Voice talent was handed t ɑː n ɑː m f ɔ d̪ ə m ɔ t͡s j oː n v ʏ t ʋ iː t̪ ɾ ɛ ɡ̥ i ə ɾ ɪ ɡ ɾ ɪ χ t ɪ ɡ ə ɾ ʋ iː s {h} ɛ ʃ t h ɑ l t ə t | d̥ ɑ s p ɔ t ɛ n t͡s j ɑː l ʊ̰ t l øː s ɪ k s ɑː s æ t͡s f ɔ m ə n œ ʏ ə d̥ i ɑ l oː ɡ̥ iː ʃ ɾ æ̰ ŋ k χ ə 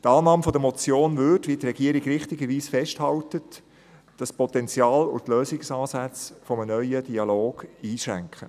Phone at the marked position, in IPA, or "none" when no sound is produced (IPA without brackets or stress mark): f